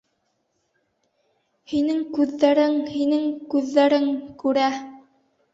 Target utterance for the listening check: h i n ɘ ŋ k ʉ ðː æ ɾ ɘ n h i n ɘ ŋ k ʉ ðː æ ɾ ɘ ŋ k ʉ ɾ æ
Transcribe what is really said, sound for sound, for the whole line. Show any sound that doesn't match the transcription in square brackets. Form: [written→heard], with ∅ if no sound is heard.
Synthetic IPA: h i n ɘ ŋ k ʉ ðː æ ɾ ɘ [n→ŋ] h i n ɘ ŋ k ʉ ðː æ ɾ ɘ ŋ k ʉ ɾ æ